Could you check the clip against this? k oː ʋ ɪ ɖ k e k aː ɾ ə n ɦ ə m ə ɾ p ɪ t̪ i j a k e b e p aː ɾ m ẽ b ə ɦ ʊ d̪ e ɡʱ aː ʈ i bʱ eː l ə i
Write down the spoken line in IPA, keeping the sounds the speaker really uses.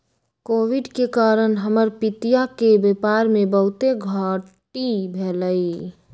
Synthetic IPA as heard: k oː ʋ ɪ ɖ k e k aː ɾ ə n ɦ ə m ə ɾ p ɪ t̪ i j a k e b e p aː ɾ m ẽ b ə ɦ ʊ t̪ e ɡʱ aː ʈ i bʱ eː l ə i